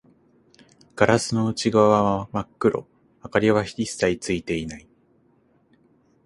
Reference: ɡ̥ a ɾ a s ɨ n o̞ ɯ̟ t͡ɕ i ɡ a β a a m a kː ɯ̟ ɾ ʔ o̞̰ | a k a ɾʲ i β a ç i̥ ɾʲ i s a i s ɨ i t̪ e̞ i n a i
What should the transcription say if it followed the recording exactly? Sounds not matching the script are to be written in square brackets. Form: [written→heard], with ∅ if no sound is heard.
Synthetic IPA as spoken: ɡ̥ a ɾ a s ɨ n o̞ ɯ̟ t͡ɕ i ɡ a β a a m a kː ɯ̟ ɾ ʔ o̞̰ | a k a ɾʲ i β a ç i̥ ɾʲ i s a i [s→t͡s] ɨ i t̪ e̞ i n a i